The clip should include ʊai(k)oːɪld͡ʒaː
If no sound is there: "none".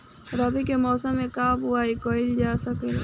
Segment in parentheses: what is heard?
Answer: k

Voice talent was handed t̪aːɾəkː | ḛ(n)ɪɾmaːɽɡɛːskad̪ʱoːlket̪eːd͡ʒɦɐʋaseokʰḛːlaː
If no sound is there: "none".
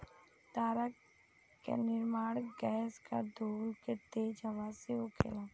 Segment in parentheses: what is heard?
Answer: n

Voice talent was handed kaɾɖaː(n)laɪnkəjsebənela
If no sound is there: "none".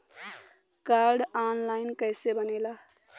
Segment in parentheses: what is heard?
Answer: n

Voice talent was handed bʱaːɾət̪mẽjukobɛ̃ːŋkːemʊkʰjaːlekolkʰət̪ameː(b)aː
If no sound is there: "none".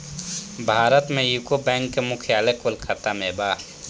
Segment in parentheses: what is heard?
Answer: b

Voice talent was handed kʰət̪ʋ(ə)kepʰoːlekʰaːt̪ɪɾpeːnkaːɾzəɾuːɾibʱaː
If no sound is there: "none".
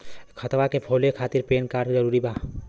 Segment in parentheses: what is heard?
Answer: a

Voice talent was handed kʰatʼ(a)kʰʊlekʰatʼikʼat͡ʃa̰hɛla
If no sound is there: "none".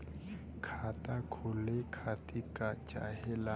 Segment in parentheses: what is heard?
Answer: a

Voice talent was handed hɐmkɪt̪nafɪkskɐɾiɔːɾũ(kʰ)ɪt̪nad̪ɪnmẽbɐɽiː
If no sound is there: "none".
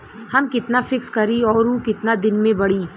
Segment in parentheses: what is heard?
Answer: k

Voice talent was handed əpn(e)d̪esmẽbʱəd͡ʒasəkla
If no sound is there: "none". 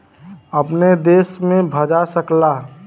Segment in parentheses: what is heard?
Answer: e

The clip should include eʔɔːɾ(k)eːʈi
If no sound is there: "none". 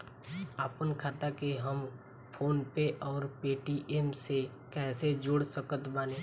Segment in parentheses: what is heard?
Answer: p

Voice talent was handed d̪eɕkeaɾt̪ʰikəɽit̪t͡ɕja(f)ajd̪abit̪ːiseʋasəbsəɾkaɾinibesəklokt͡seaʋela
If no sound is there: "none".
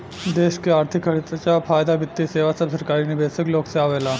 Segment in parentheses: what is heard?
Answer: f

